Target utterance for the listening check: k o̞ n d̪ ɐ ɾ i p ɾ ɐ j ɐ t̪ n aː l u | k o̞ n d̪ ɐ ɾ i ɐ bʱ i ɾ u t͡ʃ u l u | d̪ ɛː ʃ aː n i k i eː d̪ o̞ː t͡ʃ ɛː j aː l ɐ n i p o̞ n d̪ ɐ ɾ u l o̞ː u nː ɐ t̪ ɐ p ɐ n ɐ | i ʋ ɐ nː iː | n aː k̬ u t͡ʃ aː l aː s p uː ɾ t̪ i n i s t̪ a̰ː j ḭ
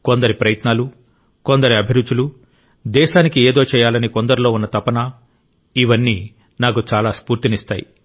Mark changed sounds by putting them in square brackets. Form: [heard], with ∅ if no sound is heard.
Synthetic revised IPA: k o̞ n d̪ ɐ ɾ i p ɾ ɐ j ɐ t̪ n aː l u | k o̞ n d̪ ɐ ɾ i ɐ bʱ i ɾ u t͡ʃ u l u | d̪ ɛː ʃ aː n i k i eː d̪ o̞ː t͡ʃ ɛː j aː l ɐ n i [k] o̞ n d̪ ɐ ɾ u l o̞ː u nː ɐ t̪ ɐ p ɐ n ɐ | i ʋ ɐ nː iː | n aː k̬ u t͡ʃ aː l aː s p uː ɾ t̪ i n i s t̪ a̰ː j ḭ